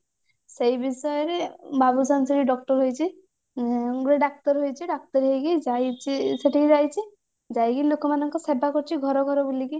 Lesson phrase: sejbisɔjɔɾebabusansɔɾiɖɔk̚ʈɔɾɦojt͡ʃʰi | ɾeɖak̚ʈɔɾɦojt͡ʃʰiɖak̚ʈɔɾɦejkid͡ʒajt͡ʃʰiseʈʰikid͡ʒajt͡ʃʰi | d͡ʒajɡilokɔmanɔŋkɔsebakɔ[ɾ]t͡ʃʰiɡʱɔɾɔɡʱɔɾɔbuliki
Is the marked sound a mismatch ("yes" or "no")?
no